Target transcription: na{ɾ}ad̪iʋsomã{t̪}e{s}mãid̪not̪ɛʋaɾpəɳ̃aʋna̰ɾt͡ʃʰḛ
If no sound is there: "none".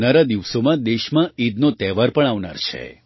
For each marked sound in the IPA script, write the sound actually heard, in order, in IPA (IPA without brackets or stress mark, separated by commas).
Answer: ɾ, d̪, ʃ